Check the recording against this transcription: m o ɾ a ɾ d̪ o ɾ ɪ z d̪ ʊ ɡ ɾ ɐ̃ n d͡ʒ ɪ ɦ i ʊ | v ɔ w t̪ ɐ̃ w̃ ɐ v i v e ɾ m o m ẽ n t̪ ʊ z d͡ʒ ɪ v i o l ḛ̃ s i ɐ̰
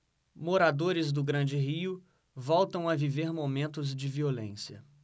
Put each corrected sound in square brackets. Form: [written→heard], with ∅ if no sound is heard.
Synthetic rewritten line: m o ɾ a [ɾ→∅] d̪ o ɾ ɪ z d̪ ʊ ɡ ɾ ɐ̃ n d͡ʒ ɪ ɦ i ʊ | v ɔ w t̪ ɐ̃ w̃ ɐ v i v e ɾ m o m ẽ n t̪ ʊ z d͡ʒ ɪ v i o l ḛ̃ s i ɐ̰